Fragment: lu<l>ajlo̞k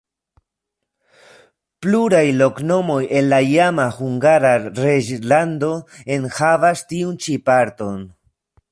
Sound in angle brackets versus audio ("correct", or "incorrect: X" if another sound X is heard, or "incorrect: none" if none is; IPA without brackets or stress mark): incorrect: ɾ